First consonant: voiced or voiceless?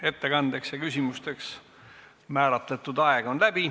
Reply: voiceless